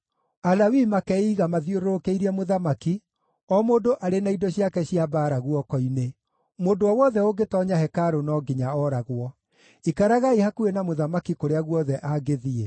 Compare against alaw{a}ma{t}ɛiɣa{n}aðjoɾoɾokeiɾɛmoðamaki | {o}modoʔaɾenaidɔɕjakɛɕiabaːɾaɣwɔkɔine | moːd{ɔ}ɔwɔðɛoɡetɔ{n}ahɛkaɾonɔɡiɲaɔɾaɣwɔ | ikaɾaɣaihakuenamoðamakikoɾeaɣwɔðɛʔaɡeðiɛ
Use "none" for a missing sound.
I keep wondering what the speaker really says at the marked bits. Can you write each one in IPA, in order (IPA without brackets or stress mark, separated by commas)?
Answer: i, k, m, ɔ, o, ɲ